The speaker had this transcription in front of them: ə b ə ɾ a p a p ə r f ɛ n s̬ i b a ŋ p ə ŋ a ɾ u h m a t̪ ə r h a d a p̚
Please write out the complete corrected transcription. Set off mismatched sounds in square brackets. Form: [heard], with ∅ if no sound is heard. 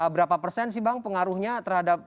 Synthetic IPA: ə b ə ɾ a p a p ə r [s] ɛ n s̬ i b a ŋ p ə ŋ a ɾ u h [ɲ] a t̪ ə r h a d a p̚